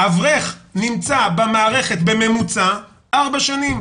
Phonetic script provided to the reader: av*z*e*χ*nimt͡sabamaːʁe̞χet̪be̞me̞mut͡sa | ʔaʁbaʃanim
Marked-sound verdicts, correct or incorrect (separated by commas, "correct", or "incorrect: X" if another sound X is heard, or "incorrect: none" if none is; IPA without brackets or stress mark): incorrect: ʁ, correct